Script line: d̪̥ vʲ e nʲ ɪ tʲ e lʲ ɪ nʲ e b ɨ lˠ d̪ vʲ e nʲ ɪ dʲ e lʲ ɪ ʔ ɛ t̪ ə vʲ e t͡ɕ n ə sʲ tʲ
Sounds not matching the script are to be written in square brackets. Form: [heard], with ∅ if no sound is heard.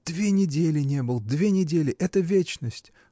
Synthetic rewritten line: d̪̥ vʲ e nʲ ɪ [dʲ] e lʲ ɪ nʲ e b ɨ lˠ d̪ vʲ e nʲ ɪ dʲ e lʲ ɪ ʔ ɛ t̪ ə vʲ e t͡ɕ n ə sʲ tʲ